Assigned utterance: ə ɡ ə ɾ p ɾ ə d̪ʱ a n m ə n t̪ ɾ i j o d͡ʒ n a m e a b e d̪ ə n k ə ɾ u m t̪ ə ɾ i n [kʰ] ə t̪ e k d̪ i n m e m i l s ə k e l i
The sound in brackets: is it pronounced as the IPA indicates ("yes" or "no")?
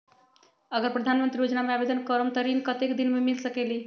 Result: no